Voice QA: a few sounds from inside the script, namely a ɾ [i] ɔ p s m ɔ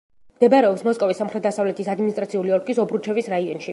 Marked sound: incorrect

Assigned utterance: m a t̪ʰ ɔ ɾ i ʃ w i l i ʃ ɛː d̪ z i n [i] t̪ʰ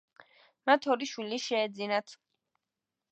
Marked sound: incorrect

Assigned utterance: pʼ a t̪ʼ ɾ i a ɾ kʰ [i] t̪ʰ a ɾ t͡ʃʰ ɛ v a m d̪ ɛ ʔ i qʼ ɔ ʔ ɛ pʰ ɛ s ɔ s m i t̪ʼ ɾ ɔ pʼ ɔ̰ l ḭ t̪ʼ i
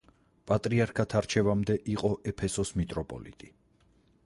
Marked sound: incorrect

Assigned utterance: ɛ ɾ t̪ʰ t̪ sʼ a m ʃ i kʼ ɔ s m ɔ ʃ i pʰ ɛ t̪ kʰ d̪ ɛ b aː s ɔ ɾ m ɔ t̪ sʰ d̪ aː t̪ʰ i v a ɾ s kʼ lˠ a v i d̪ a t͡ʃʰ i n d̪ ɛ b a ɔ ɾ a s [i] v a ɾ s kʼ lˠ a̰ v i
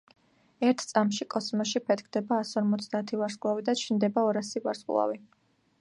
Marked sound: correct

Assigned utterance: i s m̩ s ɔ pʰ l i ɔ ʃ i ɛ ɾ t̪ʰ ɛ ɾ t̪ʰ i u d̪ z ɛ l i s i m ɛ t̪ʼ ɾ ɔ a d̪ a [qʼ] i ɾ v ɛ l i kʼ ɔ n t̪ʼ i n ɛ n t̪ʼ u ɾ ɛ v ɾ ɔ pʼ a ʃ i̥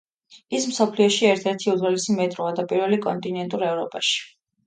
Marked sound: incorrect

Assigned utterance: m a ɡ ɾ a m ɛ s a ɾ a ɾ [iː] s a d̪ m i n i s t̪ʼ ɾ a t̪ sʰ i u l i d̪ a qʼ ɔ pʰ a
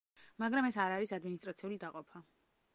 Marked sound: incorrect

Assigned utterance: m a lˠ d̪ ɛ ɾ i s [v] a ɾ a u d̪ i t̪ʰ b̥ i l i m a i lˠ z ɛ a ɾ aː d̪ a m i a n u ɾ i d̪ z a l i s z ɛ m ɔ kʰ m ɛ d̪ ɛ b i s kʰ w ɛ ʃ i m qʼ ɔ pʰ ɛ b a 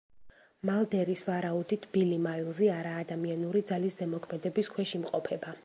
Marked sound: correct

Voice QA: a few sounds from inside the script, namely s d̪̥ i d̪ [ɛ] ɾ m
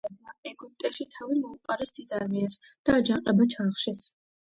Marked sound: incorrect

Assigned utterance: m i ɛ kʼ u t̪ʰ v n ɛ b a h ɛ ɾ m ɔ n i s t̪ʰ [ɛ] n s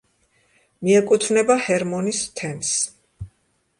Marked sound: correct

